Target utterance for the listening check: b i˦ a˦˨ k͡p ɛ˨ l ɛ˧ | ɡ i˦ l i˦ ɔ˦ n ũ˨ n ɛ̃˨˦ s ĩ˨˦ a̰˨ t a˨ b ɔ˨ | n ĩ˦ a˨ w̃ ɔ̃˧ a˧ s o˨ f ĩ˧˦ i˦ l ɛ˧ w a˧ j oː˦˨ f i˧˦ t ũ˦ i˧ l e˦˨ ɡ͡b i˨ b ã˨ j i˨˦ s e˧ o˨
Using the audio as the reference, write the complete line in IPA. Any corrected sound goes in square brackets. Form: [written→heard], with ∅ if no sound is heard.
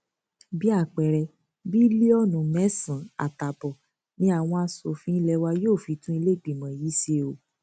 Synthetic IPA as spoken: b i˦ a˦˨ k͡p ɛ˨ [l→ɾ] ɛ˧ | [ɡ→b] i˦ l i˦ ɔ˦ n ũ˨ [n→m] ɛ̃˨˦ s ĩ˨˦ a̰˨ t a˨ b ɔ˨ | n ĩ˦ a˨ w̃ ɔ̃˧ a˧ s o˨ f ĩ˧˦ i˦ l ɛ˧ w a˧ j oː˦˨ f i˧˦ t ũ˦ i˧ l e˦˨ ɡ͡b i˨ [b→m] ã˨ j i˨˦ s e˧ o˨